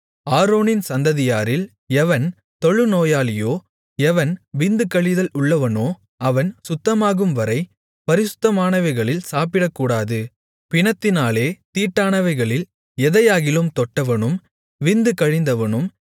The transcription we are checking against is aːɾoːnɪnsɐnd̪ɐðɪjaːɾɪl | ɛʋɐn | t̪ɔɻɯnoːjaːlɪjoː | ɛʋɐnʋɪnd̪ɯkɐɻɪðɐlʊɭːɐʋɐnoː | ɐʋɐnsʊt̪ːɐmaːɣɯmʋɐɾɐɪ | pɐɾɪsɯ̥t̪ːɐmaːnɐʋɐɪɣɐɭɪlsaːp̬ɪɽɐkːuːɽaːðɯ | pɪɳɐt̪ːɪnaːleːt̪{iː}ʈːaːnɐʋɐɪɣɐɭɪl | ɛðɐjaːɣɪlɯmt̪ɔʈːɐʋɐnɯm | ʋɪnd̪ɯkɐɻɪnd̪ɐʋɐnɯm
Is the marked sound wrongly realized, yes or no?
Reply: no